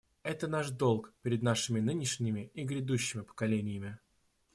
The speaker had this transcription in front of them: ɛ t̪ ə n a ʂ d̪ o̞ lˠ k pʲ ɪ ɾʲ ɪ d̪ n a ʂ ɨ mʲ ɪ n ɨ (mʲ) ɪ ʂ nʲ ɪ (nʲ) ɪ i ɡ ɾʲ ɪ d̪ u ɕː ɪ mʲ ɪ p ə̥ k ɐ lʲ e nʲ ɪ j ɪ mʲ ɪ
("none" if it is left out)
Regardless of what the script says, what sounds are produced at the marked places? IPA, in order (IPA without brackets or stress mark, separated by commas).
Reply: nʲ, mʲ